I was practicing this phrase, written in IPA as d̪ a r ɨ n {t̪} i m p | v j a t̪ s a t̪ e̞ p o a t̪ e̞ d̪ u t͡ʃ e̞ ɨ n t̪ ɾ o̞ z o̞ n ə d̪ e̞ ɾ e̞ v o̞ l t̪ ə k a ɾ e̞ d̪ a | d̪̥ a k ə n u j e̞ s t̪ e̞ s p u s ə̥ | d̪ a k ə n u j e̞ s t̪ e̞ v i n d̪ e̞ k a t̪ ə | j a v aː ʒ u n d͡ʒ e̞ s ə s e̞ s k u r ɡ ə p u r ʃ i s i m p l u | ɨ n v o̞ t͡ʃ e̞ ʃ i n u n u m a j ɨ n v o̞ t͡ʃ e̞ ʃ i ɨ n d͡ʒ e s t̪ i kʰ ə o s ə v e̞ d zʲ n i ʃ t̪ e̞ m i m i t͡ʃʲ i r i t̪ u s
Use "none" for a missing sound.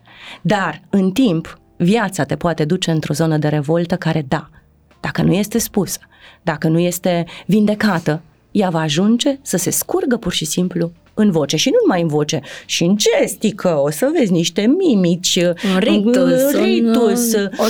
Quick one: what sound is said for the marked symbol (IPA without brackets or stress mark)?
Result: t̪